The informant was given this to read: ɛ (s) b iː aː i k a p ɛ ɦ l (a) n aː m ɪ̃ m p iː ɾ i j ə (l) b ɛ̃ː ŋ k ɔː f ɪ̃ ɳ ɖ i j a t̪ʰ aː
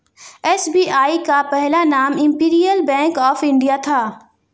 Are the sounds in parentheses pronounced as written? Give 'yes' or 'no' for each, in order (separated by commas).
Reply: yes, yes, yes